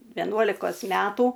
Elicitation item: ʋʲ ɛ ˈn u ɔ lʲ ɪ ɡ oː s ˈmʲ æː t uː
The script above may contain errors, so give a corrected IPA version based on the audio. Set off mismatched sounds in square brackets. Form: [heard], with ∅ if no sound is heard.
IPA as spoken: ʋʲ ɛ ˈn u ɔ lʲ ɪ [k] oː s ˈmʲ æː t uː